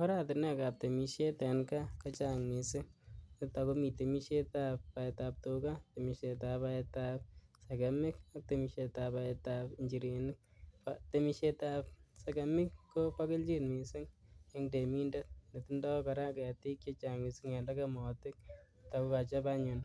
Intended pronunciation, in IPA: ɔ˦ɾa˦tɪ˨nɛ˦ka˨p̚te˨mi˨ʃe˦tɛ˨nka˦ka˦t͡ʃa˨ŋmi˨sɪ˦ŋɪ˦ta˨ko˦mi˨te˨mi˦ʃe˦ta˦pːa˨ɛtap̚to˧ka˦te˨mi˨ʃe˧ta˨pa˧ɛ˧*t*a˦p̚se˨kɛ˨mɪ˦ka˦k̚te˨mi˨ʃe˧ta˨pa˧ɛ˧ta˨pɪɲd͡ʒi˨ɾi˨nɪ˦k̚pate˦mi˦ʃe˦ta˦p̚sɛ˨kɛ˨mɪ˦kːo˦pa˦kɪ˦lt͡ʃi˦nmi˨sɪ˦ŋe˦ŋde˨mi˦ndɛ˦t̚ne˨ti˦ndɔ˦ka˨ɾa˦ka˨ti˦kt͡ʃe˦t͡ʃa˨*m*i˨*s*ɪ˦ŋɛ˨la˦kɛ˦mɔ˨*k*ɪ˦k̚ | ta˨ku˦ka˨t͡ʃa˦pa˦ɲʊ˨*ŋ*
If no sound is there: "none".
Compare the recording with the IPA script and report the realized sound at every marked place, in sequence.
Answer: t, ŋ, s, t, n

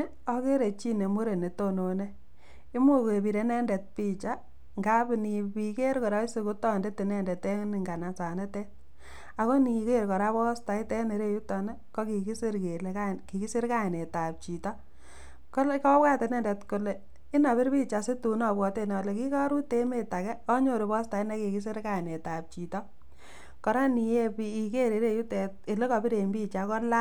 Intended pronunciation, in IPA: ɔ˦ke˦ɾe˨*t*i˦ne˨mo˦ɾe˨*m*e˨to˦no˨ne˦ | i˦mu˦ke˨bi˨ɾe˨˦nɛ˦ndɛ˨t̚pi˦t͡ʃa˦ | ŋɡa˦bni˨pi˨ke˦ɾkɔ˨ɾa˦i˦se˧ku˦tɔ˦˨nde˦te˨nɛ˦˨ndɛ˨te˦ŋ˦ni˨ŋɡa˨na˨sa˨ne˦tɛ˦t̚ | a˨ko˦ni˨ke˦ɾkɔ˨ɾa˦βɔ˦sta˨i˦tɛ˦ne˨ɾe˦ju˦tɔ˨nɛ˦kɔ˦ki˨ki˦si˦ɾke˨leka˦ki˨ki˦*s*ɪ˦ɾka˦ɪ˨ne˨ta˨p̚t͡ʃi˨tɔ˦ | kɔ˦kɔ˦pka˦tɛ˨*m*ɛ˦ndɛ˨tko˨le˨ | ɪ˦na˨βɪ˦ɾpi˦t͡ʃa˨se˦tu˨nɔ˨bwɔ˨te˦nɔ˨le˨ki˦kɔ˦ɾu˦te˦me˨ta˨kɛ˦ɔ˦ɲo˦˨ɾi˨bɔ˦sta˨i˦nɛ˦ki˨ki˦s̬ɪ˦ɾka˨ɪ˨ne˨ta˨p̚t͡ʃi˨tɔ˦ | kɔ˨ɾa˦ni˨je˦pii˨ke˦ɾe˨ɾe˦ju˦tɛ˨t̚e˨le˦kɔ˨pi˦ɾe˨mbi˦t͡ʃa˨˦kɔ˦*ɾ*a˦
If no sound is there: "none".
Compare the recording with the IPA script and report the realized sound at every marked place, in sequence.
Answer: t͡ʃ, n, s, n, l

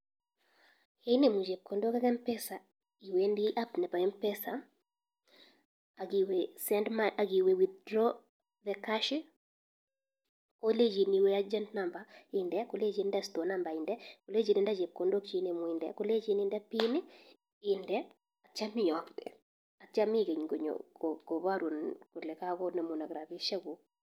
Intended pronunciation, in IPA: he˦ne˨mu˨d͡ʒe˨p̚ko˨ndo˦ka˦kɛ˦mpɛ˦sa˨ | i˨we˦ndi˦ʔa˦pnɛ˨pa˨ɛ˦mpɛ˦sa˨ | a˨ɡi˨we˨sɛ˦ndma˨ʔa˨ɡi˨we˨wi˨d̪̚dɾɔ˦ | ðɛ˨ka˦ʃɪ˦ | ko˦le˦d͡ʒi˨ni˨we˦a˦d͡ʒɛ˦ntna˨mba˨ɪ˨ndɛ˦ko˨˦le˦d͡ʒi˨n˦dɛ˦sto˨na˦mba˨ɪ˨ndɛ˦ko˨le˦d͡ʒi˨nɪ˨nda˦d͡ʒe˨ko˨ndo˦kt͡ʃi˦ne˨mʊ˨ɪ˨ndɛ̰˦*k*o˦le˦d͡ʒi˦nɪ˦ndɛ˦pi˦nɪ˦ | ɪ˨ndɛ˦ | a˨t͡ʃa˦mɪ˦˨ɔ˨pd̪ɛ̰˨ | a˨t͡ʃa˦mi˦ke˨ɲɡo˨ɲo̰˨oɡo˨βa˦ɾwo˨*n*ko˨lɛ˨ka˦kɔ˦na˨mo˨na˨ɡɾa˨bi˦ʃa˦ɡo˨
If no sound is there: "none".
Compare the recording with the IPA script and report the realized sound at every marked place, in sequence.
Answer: k, n

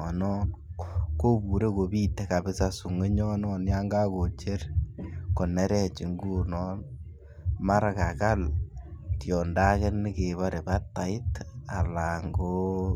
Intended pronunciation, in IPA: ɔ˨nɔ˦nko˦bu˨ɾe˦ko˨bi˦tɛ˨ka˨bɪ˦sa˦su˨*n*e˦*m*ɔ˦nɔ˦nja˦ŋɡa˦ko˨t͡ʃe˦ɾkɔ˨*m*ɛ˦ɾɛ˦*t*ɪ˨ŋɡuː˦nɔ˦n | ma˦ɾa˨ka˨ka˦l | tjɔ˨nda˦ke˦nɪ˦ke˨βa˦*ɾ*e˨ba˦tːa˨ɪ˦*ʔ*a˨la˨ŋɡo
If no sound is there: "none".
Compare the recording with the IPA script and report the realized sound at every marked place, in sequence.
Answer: ŋ, ɲ, n, t͡ʃ, ɾ, t

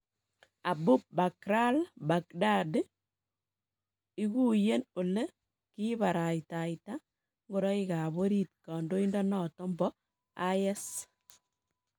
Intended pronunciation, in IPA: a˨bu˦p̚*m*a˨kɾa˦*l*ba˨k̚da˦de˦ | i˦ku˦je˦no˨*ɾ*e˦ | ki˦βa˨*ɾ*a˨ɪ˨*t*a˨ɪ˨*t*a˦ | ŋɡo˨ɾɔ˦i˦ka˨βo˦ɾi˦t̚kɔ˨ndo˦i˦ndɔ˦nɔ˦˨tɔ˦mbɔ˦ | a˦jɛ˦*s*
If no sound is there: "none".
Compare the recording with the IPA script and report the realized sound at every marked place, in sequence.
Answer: b, l, l, ɾ, t, t, s

